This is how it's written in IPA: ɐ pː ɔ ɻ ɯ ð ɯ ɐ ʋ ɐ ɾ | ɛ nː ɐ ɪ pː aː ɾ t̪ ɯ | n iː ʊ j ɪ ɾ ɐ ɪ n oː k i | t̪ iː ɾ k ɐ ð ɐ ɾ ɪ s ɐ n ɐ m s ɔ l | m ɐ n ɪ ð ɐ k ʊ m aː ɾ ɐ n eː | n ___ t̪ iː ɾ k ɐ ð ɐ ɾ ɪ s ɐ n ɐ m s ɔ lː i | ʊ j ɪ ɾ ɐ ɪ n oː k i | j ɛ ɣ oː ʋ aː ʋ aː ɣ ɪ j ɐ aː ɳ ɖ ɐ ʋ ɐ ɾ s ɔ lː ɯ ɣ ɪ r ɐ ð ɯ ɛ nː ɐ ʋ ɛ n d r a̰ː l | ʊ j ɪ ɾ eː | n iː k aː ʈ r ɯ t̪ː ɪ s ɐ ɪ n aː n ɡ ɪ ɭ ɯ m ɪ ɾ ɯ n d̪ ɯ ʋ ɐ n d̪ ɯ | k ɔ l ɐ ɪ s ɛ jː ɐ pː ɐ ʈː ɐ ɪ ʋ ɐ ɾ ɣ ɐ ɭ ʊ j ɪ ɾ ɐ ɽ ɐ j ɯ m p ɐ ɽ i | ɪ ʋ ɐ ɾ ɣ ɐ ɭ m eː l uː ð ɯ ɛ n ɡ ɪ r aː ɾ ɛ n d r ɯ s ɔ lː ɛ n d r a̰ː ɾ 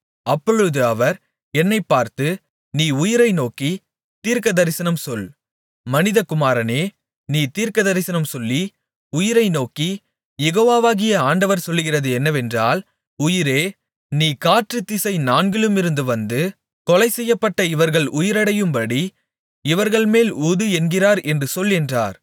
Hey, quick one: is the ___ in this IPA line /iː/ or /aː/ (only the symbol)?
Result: iː